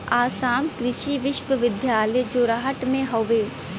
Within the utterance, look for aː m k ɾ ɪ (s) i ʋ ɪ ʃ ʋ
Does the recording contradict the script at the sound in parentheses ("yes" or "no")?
yes